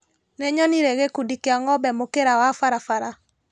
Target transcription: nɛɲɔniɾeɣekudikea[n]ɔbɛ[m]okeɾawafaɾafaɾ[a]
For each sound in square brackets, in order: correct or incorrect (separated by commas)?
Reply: incorrect, correct, correct